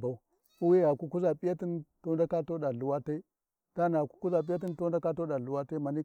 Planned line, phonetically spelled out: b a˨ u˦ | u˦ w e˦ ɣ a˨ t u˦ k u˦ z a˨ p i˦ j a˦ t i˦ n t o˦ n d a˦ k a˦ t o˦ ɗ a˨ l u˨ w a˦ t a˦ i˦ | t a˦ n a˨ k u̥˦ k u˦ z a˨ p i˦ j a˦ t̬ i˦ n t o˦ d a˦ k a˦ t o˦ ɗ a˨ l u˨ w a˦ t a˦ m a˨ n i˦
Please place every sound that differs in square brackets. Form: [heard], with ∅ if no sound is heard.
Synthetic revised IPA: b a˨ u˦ | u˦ w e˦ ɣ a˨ [k] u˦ k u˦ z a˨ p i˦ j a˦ t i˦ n t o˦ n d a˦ k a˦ t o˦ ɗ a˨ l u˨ w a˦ t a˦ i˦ | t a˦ n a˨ k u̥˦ k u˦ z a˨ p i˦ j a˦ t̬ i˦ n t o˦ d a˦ k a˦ t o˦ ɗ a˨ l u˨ w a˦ t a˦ m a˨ n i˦